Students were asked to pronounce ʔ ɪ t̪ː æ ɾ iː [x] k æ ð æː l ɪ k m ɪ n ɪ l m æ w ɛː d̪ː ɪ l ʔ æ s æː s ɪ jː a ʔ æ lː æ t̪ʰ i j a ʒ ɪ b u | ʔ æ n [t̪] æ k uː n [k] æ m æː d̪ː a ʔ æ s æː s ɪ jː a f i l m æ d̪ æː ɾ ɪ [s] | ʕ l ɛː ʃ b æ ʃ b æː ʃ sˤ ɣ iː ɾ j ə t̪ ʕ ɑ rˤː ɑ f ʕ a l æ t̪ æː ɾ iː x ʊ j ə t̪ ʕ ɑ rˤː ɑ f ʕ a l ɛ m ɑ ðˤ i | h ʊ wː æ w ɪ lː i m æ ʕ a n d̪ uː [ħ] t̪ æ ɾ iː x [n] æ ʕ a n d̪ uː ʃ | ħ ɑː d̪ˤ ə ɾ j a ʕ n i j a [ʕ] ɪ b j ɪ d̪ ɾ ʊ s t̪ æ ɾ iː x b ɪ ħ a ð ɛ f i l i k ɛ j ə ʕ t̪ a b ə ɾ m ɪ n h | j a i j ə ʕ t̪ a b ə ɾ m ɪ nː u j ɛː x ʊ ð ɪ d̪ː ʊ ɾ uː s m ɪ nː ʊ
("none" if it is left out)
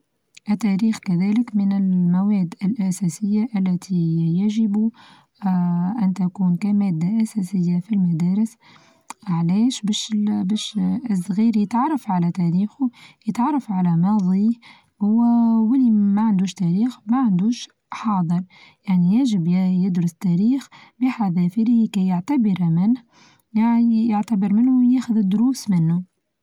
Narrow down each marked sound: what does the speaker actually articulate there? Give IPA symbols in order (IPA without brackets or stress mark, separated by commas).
x, t̪, k, s, ʃ, m, ʒ